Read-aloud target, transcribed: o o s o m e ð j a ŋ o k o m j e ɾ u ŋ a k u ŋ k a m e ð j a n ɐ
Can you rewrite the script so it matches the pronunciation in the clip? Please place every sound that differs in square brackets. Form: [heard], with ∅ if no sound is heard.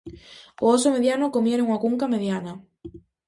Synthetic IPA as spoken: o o s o m e ð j a [n] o k o m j e ɾ [o] ŋ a k u ŋ k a m e ð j a n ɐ